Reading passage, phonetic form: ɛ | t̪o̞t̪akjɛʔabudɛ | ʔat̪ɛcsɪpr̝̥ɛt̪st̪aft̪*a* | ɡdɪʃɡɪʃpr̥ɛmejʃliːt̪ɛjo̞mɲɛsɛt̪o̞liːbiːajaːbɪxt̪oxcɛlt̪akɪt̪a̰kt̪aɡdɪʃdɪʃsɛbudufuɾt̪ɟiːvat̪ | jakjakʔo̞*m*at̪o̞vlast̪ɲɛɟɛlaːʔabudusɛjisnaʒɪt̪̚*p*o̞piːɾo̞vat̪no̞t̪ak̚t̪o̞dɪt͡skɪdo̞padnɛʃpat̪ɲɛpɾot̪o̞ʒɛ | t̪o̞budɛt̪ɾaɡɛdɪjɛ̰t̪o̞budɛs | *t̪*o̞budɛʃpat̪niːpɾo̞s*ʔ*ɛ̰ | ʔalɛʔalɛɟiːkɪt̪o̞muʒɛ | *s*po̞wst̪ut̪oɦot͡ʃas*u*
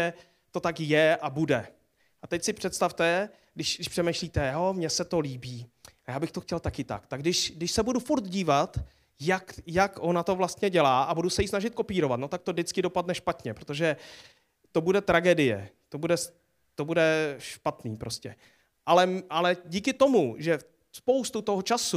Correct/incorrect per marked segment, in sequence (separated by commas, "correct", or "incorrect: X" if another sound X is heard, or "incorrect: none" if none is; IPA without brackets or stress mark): incorrect: ɛ, incorrect: n, incorrect: k, correct, incorrect: c, correct, correct